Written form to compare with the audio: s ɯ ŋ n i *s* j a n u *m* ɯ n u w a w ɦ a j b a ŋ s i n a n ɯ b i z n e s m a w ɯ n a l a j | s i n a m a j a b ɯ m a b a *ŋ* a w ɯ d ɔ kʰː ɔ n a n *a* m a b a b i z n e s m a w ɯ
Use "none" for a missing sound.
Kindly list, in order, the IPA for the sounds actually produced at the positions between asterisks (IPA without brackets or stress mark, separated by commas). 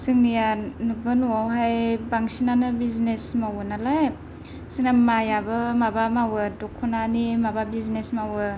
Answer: none, b, m, i